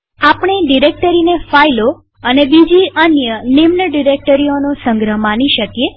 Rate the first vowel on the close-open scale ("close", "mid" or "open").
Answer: open